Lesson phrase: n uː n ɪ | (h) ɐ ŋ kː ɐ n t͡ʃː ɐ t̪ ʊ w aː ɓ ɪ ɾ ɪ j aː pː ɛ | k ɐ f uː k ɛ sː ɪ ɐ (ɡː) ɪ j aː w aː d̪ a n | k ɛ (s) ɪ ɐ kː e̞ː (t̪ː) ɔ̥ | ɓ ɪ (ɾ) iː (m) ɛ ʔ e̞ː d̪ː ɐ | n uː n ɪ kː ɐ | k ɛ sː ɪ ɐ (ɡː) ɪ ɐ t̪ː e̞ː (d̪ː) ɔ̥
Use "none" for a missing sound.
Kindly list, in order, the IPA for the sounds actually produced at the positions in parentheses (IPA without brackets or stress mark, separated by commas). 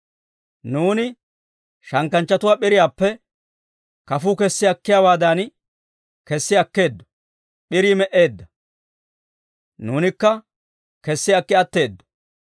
ʃ, kː, sː, d̪ː, ɾ, m, kː, d̪ː